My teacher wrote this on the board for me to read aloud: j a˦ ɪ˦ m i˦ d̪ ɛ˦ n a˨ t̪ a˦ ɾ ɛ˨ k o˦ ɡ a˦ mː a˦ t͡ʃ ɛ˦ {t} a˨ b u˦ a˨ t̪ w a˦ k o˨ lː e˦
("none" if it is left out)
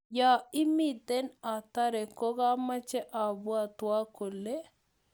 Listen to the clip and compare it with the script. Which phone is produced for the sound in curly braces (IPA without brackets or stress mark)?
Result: ʔ